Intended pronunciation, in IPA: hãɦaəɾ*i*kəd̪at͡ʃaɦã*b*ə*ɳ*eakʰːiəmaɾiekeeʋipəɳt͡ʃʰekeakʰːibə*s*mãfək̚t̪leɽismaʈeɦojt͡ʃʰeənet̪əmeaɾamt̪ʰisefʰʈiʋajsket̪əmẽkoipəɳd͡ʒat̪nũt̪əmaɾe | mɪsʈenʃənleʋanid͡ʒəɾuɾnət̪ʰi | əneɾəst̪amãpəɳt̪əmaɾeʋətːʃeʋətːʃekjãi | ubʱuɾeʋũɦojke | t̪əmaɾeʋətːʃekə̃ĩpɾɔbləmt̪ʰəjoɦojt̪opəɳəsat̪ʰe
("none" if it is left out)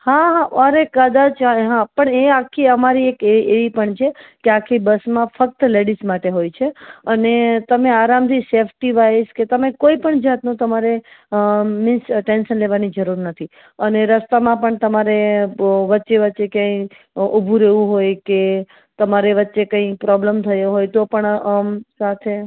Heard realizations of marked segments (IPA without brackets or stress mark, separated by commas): e, p, ɳ, s